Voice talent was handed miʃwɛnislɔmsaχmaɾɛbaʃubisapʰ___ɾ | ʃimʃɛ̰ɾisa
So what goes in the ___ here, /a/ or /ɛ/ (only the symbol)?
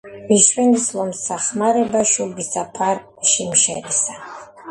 a